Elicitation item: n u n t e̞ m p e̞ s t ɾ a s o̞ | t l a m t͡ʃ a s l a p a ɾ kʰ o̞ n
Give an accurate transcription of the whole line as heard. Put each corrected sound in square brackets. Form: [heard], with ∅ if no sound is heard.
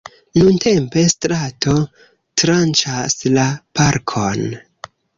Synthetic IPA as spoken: n u n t e̞ m p e̞ s t ɾ a [t] o̞ | t [ɾ] a [n] t͡ʃ a s l a p a ɾ kʰ o̞ n